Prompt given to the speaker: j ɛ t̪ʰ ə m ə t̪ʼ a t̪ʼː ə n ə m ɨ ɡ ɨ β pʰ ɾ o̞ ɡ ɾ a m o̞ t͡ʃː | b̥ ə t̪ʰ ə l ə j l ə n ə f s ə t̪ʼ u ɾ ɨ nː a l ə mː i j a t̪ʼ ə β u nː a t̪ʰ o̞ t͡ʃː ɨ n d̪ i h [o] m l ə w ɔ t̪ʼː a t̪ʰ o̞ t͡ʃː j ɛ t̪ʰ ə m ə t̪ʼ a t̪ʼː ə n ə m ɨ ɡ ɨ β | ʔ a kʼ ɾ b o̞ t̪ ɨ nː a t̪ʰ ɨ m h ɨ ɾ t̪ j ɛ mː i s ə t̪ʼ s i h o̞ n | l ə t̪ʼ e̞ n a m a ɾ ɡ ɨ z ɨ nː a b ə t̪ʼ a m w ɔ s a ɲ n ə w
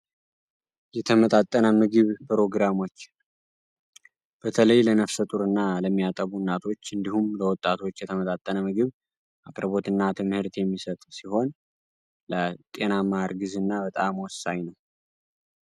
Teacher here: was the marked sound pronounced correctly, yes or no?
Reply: no